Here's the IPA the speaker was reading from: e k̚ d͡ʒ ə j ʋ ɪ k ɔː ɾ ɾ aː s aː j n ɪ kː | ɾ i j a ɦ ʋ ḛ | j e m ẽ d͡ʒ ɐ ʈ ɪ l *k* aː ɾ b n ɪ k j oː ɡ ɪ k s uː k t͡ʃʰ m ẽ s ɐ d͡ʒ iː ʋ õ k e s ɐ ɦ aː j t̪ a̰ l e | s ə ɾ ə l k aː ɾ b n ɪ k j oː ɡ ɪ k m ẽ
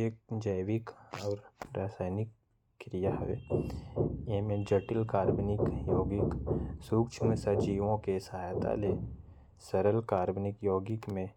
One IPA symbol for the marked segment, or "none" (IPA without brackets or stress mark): k